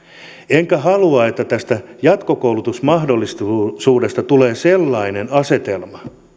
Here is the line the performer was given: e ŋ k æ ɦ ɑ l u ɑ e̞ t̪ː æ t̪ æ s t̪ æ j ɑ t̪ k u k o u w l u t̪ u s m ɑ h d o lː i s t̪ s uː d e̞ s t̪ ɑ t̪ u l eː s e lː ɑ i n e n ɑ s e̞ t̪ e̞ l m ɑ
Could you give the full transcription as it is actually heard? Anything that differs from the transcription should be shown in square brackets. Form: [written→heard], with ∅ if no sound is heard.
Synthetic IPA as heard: e ŋ k æ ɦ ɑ l u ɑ e̞ t̪ː æ t̪ æ s t̪ æ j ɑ t̪ k [u→o] k o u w l u t̪ u s m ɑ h d o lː i s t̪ s uː d e̞ s t̪ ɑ t̪ u l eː s e lː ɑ i n e n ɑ s e̞ t̪ e̞ l m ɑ